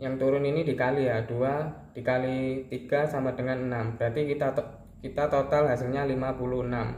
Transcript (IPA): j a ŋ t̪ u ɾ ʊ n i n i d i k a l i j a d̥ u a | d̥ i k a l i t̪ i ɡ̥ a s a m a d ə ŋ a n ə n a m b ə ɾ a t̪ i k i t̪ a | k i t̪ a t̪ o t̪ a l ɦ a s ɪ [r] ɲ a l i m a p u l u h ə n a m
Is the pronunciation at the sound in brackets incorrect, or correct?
incorrect